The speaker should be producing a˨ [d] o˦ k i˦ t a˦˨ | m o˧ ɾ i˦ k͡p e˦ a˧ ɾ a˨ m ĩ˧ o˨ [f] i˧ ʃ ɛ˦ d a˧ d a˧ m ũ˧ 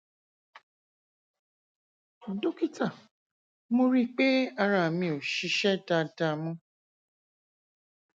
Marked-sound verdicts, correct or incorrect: correct, incorrect: ʃ

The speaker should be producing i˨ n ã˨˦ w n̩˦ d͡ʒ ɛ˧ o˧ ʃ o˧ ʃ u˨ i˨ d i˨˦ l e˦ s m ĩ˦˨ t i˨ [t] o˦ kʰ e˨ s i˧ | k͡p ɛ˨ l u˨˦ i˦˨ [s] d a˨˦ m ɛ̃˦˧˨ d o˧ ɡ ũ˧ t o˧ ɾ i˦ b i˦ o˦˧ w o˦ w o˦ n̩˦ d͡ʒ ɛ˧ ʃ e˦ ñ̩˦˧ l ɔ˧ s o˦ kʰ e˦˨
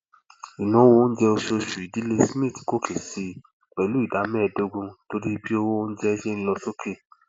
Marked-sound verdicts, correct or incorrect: incorrect: k, incorrect: none

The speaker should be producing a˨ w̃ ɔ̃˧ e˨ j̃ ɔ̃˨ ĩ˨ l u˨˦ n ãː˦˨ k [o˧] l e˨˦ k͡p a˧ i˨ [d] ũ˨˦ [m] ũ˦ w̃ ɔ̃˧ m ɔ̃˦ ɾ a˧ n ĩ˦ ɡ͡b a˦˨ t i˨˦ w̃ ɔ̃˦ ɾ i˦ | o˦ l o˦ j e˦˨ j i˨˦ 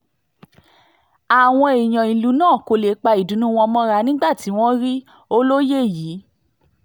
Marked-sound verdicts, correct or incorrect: correct, correct, incorrect: n

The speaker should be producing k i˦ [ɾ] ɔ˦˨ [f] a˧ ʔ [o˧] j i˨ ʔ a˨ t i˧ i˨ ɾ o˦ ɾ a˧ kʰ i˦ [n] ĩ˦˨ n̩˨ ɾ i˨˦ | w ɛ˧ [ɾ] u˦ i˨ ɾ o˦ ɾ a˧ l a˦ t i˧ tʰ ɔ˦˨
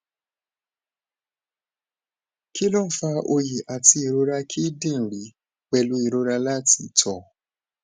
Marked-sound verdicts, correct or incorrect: incorrect: l, correct, correct, incorrect: d, incorrect: l

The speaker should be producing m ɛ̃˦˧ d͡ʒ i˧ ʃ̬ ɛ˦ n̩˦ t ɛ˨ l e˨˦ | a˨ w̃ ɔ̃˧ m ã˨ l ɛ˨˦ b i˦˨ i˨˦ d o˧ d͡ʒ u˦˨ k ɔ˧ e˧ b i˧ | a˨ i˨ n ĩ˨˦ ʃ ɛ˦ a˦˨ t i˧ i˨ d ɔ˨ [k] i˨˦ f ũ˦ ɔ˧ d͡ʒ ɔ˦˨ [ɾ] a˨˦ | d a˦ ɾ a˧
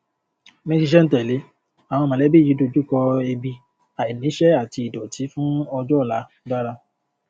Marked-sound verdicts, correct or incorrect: incorrect: t, incorrect: l

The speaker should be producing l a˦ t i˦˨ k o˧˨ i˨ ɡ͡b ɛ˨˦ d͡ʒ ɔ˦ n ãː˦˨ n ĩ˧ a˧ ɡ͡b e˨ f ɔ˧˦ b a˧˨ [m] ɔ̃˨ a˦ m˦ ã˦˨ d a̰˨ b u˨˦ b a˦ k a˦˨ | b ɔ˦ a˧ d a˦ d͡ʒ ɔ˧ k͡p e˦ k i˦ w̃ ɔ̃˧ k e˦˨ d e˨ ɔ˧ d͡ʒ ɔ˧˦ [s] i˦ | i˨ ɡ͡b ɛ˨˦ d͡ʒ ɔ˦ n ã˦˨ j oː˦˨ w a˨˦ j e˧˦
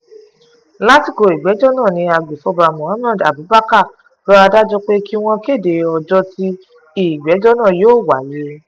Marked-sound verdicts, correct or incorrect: correct, incorrect: t

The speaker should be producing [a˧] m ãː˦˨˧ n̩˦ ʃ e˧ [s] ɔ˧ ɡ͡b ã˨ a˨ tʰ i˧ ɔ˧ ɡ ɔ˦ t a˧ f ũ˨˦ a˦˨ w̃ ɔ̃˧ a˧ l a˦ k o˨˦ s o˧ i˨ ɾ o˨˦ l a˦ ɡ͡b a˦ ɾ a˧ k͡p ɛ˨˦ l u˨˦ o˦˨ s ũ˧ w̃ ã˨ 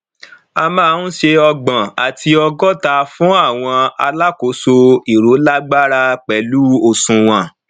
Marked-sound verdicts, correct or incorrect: correct, incorrect: none

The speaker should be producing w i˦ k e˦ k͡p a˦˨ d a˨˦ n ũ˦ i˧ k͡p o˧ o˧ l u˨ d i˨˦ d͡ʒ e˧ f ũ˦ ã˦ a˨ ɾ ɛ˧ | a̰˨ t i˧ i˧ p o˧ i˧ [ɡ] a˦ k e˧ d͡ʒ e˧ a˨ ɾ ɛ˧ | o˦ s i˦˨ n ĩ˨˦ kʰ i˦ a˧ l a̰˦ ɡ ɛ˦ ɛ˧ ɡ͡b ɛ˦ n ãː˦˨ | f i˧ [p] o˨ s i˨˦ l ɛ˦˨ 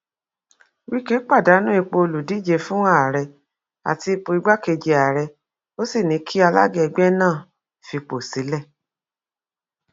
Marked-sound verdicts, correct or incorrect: incorrect: ɡ͡b, incorrect: k͡p

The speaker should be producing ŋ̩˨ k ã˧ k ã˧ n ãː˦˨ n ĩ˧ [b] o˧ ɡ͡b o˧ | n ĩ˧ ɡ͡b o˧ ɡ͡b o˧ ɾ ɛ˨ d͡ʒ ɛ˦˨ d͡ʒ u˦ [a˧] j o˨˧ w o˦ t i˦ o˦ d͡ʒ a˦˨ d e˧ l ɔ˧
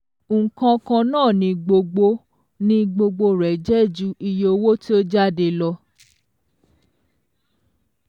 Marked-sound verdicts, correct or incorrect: incorrect: ɡ͡b, incorrect: i˧

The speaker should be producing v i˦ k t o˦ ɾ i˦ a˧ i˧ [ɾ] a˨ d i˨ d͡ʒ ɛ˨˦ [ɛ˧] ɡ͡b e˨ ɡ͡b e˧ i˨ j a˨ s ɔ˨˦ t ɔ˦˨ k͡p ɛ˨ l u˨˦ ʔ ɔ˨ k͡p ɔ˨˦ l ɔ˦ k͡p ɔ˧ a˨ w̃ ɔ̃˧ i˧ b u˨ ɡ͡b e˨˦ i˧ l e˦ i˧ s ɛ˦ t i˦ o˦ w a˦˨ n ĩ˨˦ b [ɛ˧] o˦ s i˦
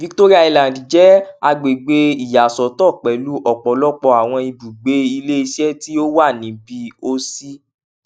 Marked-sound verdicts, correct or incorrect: incorrect: l, incorrect: a˧, incorrect: i˧

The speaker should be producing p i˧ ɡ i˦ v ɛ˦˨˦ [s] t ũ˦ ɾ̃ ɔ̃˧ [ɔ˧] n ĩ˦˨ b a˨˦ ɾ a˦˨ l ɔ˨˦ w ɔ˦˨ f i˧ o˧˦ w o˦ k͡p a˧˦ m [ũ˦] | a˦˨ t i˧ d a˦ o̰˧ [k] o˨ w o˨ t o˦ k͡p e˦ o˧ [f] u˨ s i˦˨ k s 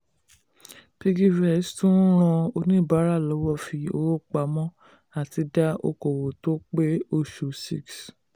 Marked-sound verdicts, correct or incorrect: correct, incorrect: o˧, incorrect: ɔ̃˦, correct, incorrect: ʃ

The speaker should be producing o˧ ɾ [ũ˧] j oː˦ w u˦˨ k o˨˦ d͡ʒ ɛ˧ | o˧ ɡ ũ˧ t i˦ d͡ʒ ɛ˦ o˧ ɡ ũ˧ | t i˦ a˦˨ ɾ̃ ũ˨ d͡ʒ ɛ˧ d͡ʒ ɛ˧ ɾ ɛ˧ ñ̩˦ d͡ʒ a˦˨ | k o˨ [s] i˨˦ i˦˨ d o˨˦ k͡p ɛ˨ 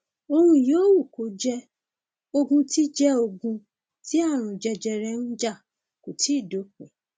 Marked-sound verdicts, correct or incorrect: correct, incorrect: t

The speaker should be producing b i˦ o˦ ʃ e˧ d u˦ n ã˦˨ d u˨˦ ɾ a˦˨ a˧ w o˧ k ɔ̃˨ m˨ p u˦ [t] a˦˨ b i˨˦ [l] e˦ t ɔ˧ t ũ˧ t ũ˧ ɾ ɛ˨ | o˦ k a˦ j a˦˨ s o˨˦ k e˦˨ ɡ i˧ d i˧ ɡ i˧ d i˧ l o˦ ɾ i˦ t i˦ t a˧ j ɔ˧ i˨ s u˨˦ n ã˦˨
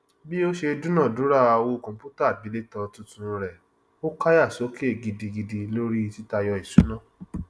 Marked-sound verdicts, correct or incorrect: correct, correct

